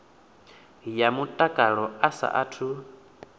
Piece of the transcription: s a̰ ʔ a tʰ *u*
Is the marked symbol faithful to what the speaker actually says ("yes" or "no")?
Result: yes